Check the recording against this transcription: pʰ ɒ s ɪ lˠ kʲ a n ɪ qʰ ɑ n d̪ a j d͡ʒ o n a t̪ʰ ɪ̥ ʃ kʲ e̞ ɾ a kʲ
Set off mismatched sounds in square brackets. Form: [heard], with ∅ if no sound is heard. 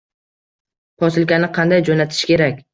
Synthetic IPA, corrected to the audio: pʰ ɒ s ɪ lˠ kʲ a n ɪ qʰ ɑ n d̪ a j d͡ʒ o n a t̪ʰ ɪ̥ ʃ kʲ e̞ ɾ a kʲ